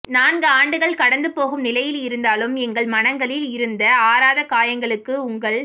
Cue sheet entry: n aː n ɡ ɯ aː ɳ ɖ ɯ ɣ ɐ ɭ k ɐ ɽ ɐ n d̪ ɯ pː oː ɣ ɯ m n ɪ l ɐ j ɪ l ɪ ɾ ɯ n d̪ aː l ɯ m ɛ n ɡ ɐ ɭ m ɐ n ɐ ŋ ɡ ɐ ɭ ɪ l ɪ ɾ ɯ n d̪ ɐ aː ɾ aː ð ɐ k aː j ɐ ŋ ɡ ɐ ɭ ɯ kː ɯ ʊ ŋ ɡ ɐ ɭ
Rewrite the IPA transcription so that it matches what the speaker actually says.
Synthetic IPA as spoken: n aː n ɡ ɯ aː ɳ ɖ ɯ ɣ ɐ ɭ k ɐ ɽ ɐ n d̪ ɯ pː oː ɣ ɯ m n ɪ l ɐ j ɪ l ɪ ɾ ɯ n d̪ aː l ɯ m ɛ ŋ ɡ ɐ ɭ m ɐ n ɐ ŋ ɡ ɐ ɭ ɪ l ɪ ɾ ɯ n d̪ ɐ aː ɾ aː ð ɐ k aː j ɐ ŋ ɡ ɐ ɭ ɯ kː ɯ ʊ ŋ ɡ ɐ ɭ